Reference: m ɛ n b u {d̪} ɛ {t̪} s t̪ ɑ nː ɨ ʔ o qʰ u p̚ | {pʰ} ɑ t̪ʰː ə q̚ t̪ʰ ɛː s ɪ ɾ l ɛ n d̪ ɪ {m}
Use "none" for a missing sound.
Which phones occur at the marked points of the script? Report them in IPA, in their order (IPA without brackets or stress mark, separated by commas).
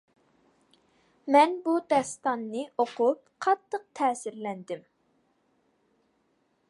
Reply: d̪, none, qʰ, m